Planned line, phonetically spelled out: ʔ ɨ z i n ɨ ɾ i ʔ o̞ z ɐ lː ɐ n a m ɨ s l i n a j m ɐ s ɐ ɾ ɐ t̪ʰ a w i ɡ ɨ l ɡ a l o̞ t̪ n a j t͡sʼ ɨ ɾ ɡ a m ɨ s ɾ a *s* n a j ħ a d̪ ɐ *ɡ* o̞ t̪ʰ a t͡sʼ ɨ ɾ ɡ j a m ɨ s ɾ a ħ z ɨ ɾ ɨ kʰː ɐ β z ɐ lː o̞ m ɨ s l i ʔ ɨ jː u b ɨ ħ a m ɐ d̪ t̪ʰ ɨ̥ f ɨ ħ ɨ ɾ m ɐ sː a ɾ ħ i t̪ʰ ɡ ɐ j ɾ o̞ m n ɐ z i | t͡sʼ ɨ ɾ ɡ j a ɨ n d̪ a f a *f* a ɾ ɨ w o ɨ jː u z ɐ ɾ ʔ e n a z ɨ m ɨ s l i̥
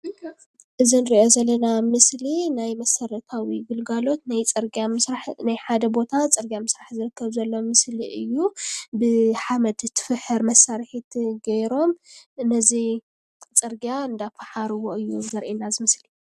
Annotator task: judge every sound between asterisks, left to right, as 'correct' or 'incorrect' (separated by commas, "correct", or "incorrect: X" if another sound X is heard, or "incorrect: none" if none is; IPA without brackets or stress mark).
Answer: incorrect: ħ, incorrect: b, incorrect: ħ